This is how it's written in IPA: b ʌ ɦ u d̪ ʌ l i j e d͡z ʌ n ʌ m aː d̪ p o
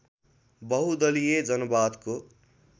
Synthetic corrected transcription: b ʌ ɦ u d̪ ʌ l i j e d͡z ʌ n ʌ b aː d̪ k o